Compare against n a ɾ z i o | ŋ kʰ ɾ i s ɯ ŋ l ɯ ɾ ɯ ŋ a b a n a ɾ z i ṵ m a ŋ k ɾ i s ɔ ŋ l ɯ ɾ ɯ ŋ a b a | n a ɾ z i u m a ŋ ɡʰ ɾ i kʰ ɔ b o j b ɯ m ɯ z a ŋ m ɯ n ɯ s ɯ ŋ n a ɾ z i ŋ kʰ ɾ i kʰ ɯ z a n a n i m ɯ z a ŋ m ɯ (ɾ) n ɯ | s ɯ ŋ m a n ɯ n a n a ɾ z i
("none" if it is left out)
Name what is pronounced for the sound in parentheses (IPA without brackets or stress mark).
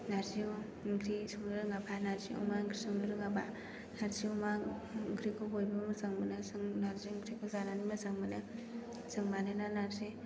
none